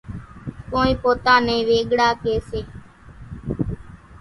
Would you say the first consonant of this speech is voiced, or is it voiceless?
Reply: voiceless